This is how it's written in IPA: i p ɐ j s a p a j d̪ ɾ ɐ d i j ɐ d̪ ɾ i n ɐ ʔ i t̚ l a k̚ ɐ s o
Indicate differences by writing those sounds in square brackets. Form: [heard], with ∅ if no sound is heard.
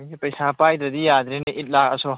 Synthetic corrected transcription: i p ɐ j s a p a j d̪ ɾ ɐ d i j [a] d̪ ɾ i n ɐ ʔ i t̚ l a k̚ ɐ s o